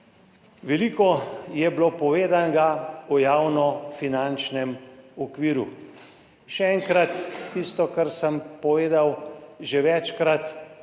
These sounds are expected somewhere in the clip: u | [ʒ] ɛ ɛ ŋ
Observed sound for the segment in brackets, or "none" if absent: ʃ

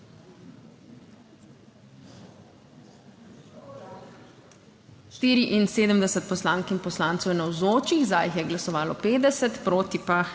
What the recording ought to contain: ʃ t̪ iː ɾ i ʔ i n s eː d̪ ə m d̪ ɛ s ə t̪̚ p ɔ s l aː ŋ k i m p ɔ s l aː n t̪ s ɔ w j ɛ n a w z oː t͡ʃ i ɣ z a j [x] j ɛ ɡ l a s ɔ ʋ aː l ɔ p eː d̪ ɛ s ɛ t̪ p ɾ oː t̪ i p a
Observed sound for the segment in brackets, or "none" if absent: x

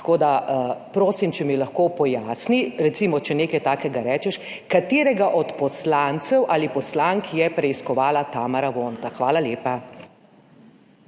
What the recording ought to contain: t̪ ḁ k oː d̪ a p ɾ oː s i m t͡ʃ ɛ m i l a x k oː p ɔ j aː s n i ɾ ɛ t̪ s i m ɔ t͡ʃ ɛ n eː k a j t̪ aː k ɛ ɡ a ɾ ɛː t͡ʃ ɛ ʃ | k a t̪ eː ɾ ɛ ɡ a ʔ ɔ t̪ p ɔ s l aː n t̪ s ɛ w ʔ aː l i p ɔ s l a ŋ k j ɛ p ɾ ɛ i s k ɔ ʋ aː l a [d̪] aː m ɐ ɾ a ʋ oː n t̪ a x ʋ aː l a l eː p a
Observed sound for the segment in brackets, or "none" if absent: t̪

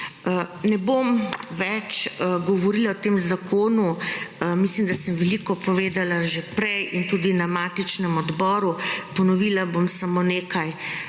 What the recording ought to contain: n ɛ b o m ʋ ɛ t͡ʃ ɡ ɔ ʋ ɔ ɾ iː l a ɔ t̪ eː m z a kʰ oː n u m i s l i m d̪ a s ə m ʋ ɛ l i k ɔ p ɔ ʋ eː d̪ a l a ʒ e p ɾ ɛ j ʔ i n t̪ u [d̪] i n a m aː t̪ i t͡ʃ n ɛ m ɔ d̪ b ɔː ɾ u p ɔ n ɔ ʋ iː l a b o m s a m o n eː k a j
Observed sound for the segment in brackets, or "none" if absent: d̪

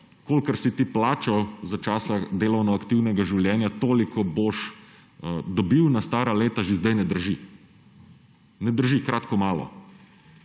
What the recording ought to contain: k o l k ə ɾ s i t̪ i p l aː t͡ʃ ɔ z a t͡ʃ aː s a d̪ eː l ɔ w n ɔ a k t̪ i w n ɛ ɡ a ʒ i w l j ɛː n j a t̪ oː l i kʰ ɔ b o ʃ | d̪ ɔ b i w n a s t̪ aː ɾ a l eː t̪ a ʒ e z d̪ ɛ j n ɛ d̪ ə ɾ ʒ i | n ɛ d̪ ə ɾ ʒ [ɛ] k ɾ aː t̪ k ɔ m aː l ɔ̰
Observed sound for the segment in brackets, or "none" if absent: i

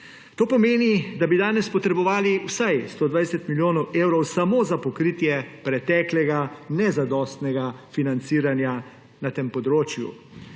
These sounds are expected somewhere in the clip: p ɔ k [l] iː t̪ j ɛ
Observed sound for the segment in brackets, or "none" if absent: ɾ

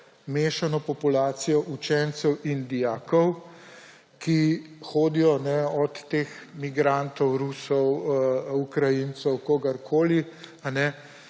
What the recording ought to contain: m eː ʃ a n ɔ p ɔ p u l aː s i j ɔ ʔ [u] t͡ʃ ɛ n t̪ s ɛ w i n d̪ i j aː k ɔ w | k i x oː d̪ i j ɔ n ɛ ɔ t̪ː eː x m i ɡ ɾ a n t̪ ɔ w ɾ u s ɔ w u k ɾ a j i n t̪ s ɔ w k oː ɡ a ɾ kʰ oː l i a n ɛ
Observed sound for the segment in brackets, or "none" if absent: u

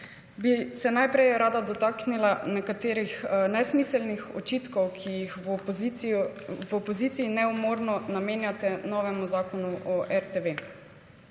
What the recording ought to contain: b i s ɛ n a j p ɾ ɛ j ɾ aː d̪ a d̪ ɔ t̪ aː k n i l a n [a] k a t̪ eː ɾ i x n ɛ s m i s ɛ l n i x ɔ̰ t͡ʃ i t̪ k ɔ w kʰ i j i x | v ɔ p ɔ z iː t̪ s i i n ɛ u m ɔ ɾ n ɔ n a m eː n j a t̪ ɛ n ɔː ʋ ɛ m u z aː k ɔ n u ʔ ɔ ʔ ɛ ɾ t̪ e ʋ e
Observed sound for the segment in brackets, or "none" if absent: ɛ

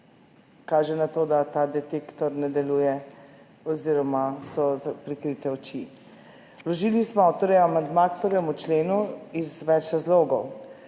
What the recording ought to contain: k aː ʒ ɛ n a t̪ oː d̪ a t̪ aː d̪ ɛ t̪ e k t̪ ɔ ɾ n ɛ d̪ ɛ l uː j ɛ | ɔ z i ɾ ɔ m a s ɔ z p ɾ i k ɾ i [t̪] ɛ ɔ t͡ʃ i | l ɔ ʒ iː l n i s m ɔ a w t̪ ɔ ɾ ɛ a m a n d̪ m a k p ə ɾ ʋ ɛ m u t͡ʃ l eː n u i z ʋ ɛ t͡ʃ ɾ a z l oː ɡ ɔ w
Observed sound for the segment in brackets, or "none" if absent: t̪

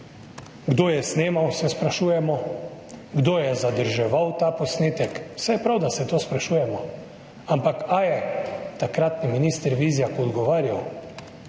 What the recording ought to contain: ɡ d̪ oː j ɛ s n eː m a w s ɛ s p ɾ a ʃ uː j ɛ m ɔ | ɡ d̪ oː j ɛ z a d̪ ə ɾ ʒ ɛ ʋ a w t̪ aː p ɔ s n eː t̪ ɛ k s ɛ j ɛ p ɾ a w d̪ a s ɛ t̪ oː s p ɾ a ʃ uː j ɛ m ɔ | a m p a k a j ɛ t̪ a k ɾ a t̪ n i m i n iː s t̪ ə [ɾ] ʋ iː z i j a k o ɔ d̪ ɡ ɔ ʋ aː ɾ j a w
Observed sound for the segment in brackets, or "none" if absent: ɾ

